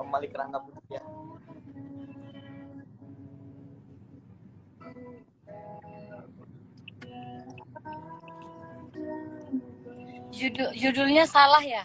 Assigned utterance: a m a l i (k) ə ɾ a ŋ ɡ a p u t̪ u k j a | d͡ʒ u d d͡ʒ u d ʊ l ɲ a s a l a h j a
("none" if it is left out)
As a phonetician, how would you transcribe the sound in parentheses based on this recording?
k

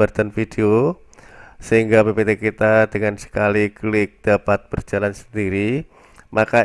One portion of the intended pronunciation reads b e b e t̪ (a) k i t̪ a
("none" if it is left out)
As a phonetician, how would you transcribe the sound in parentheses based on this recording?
e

